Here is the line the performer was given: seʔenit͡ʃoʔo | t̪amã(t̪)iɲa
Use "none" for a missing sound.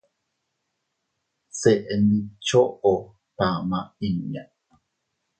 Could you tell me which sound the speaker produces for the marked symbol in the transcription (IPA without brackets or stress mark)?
none